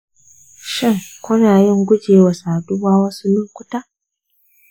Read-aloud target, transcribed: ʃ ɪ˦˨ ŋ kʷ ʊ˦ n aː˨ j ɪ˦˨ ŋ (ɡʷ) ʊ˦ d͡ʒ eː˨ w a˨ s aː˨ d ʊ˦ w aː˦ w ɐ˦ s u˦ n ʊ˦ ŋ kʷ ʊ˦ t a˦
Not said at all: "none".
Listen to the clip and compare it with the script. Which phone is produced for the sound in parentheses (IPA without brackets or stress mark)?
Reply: ɡʷ